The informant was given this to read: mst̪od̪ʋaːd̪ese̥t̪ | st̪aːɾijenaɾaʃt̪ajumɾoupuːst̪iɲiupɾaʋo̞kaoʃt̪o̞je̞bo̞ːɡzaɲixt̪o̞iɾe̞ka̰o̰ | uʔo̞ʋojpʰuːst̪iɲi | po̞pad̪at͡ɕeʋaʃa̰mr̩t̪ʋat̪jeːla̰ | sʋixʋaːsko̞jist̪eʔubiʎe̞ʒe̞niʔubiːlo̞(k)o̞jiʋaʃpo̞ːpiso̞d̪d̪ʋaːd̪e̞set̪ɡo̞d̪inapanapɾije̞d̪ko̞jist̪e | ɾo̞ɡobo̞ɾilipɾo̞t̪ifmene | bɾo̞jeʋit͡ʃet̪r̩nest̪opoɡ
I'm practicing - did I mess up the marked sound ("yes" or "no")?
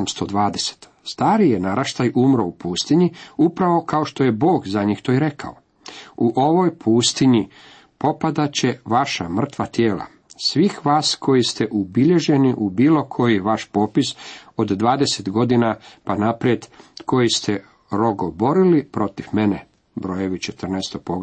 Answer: yes